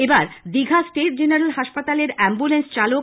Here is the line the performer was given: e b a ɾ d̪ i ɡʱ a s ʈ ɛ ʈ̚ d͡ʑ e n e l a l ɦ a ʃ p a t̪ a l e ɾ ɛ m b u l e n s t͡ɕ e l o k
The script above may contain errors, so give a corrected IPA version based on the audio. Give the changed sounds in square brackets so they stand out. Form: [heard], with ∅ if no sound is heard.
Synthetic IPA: e b a ɾ d̪ i ɡʱ a s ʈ [e] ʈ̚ d͡ʑ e n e [ɾ] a l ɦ a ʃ p a t̪ a l e ɾ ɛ m b u l e n s t͡ɕ [a] l o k